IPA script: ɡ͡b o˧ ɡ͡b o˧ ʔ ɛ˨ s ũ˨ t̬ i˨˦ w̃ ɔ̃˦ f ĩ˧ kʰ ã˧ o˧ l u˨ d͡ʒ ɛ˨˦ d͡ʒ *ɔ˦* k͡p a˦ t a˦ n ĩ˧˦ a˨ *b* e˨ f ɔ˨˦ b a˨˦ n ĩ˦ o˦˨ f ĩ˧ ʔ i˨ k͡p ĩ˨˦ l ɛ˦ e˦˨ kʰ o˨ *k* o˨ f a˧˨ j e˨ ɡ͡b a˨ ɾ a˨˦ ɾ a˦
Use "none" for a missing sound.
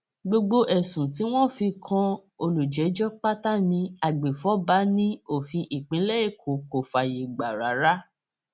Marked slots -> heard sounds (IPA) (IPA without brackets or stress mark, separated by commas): ɔ˦, ɡ͡b, k